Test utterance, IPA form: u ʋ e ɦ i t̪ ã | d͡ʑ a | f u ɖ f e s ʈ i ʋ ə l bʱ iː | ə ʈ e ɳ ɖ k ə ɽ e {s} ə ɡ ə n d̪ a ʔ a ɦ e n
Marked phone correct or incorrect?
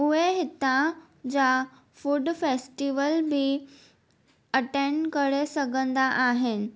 correct